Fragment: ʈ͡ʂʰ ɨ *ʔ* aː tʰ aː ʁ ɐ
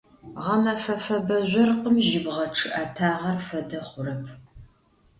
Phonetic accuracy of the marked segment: correct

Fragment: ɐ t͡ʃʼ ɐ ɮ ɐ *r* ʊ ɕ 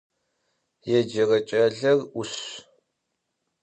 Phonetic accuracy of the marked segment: correct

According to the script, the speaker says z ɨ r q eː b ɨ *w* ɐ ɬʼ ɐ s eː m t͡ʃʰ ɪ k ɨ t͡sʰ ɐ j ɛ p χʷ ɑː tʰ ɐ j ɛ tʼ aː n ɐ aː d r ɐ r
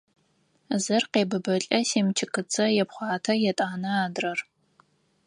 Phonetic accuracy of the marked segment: incorrect: b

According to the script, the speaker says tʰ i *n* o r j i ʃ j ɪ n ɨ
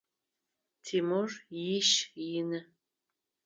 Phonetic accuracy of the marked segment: incorrect: m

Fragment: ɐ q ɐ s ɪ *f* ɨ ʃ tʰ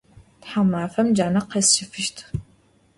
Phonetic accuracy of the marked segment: correct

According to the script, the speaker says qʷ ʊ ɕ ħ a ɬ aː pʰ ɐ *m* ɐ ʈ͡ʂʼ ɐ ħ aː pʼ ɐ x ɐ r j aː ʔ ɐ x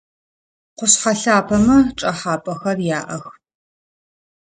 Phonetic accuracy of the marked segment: correct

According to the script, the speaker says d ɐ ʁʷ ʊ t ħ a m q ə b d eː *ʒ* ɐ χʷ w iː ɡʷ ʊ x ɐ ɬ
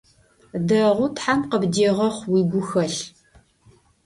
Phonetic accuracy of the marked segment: incorrect: ʁ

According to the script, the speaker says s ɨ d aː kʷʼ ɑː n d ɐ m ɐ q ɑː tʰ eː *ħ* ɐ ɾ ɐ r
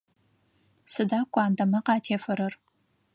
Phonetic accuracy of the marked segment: incorrect: f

